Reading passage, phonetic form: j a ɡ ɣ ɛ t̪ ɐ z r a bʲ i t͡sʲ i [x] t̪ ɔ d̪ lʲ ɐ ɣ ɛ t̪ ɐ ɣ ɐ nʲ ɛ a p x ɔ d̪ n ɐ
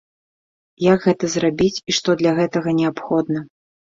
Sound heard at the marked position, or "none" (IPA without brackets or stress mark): ʂ